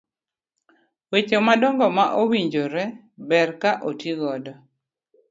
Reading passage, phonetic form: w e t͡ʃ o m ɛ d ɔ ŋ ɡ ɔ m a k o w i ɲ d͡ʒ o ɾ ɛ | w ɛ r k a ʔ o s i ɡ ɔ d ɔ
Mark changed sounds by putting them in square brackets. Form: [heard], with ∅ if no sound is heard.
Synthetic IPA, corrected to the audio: w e t͡ʃ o m [a] d ɔ ŋ ɡ ɔ m a [ʔ] o w i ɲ d͡ʒ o ɾ ɛ | [b] ɛ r k a ʔ o [t] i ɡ ɔ d ɔ